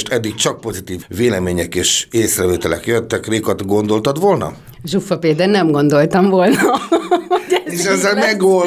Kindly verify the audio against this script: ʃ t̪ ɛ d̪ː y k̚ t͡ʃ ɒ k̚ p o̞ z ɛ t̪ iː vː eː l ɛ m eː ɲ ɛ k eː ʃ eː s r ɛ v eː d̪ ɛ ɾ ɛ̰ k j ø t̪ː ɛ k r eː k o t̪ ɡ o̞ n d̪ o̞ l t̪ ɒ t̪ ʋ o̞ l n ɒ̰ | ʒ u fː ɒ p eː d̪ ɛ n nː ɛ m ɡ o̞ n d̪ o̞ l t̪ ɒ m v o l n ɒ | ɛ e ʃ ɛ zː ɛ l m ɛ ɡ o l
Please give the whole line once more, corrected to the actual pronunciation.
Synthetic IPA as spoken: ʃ t̪ ɛ d̪ː i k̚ t͡ʃ ɒ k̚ p o̞ z i t̪ iː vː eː l ɛ m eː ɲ ɛ k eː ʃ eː s r ɛ v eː t̪ ɛ l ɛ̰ k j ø t̪ː ɛ k r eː k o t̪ ɡ o̞ n d̪ o̞ l t̪ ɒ t̪ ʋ o̞ l n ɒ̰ | ʒ u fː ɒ p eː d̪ ɛ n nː ɛ m ɡ o̞ n d̪ o̞ l t̪ ɒ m v o l n ɒ | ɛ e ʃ ɛ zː ɛ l m ɛ ɡ o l